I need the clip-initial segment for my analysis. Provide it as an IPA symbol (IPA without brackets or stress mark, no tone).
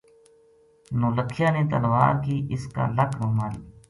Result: n